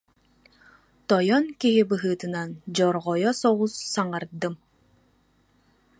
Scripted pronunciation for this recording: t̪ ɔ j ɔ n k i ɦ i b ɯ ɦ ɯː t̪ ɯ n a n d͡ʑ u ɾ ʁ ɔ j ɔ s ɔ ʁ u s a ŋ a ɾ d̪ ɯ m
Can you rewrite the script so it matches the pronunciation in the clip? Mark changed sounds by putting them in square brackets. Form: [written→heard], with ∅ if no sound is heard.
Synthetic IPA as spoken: t̪ ɔ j ɔ n k i ɦ i b ɯ ɦ ɯː t̪ ɯ n a n d͡ʑ [u→ɔ] ɾ ʁ ɔ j ɔ s ɔ ʁ u [s→sː] a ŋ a ɾ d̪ ɯ m